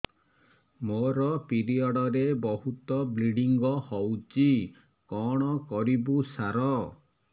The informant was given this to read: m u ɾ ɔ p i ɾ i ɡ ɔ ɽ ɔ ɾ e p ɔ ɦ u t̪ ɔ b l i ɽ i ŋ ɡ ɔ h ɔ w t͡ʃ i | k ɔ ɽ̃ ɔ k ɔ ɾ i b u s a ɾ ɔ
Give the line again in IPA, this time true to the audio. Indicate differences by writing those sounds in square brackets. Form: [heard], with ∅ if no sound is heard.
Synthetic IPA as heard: m [o] ɾ ɔ p i ɾ i [∅] ɔ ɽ ɔ ɾ e [b] ɔ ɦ u t̪ ɔ b l i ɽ i ŋ ɡ ɔ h ɔ w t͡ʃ i | k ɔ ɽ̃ ɔ k ɔ ɾ i b u s a ɾ ɔ